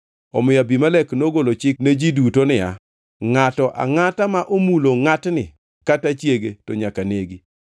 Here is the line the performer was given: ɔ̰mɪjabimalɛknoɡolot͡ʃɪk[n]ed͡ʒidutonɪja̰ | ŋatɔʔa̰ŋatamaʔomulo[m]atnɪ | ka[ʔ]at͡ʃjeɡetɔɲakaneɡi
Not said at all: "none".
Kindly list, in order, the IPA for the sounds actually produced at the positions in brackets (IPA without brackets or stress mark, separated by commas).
n, ŋ, t